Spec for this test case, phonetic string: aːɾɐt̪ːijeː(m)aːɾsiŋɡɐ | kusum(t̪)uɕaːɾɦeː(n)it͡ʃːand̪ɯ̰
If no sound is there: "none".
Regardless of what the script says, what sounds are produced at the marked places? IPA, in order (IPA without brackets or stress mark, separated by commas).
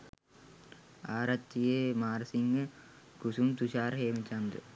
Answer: m, t̪, m